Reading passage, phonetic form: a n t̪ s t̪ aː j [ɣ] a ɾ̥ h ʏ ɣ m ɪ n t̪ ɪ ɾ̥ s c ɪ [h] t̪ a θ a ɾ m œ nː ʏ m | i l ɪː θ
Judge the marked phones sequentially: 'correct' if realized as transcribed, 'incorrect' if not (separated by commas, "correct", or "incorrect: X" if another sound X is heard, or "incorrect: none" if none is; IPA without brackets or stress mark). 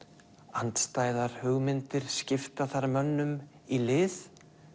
incorrect: ð, incorrect: f